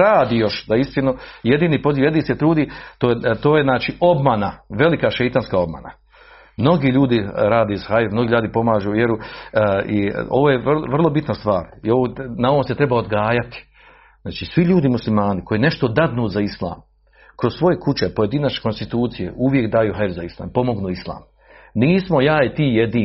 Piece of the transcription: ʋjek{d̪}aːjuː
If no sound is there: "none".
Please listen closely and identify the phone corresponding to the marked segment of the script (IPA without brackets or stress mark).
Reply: d̪